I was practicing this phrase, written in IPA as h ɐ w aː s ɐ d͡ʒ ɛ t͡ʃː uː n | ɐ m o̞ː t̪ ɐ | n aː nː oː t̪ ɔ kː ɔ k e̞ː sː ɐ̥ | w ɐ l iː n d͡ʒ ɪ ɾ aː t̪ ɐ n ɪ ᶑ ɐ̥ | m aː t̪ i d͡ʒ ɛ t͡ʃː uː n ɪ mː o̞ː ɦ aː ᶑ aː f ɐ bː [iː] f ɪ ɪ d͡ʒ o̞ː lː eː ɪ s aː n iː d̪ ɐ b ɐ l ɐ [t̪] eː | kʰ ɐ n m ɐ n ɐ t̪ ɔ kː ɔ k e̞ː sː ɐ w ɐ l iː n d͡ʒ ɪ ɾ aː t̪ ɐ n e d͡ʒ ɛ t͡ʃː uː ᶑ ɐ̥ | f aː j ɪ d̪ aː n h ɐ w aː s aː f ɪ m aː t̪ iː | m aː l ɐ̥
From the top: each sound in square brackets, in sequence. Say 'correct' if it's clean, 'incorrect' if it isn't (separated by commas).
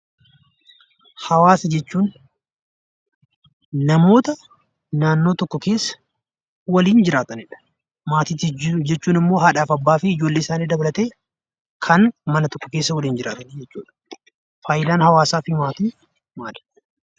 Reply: incorrect, correct